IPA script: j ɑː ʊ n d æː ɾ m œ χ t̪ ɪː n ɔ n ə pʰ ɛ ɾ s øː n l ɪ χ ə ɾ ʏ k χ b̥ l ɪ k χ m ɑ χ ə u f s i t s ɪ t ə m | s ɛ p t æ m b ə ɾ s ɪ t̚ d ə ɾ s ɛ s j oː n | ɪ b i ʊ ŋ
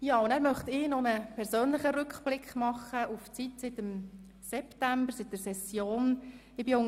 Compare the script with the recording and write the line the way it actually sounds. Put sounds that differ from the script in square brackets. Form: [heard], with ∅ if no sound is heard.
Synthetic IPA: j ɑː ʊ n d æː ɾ m œ χ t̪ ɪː n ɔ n ə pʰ ɛ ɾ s øː n l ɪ χ ə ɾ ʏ k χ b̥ l ɪ k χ m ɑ χ ə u f [t͡s] i t s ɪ t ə m | s ɛ p t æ m b ə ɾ s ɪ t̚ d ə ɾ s ɛ s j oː n | ɪ b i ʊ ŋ